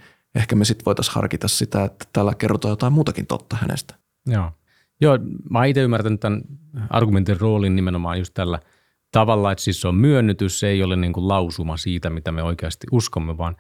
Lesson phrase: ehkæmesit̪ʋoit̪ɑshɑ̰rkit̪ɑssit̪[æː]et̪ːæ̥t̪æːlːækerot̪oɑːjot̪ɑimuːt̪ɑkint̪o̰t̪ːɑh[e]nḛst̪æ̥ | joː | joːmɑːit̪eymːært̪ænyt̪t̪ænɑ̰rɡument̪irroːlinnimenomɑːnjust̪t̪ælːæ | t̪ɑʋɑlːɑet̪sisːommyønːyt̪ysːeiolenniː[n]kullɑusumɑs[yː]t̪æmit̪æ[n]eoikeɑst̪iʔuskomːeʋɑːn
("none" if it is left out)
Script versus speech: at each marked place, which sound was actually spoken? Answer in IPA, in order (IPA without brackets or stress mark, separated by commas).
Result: æ, æ, ŋ, iː, m